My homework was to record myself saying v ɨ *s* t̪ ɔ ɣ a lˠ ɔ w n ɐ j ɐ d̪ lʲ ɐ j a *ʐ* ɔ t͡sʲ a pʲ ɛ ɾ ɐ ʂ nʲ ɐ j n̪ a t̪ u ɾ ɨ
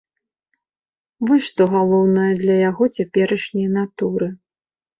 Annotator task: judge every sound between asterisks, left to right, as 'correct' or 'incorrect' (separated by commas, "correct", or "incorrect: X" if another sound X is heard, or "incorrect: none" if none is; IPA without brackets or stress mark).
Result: incorrect: ʂ, incorrect: ɣ